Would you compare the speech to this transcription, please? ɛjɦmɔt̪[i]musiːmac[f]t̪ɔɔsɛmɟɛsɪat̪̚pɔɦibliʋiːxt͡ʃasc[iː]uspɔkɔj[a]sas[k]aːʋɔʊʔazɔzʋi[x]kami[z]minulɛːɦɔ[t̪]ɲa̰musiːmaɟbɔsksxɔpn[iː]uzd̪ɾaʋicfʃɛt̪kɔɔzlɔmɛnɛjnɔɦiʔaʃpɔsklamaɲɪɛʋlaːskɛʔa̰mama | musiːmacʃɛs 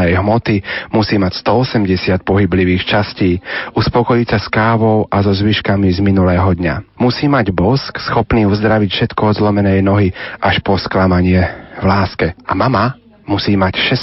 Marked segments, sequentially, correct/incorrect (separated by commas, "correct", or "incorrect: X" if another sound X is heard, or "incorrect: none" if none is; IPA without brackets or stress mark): correct, incorrect: s, correct, incorrect: i, correct, incorrect: ʃ, correct, incorrect: d̪, correct